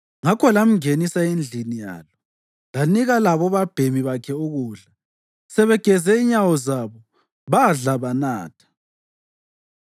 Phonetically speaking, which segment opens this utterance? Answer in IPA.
ŋ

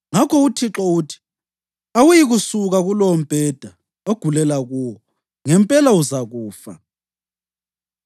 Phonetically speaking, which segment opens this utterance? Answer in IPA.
ŋ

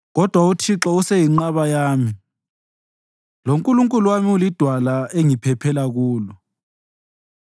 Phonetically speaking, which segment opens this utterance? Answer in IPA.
ɣ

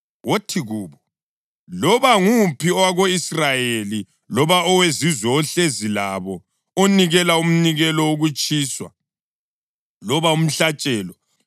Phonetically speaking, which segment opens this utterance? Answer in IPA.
w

